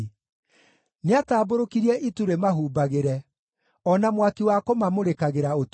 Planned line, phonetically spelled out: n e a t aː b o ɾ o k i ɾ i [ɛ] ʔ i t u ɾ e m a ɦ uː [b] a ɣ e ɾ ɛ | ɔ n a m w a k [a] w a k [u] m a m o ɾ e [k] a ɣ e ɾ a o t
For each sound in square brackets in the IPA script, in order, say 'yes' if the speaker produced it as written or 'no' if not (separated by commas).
yes, yes, no, no, yes